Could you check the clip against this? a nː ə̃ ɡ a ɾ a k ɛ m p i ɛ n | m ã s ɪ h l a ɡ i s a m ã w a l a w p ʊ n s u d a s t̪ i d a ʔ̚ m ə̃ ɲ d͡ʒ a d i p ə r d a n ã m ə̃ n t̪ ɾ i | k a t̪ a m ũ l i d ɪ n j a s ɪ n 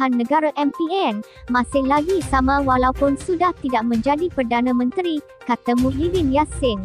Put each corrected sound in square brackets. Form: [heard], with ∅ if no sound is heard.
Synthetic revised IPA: a nː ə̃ ɡ a ɾ a [ʔ] ɛ m p i ɛ n | m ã s ɪ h l a ɡ i s a m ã w a l a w p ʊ n s u d a [h] t̪ i d a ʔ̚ m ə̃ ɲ d͡ʒ a d i p ə r d a n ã m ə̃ n t̪ ɾ i | k a t̪ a m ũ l i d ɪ n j a s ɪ n

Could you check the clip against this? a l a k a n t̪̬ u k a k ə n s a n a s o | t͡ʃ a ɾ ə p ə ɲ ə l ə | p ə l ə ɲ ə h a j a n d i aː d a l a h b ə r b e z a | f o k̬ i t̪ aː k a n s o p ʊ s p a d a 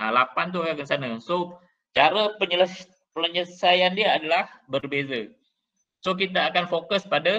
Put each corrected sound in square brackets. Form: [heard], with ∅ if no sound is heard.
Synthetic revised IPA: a l a [p] a n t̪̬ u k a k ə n s a n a s o | t͡ʃ a ɾ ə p ə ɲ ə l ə | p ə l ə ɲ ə [s] a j a n d i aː d a l a h b ə r b e z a | [s] o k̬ i t̪ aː k a n [f] o [k] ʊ s p a d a

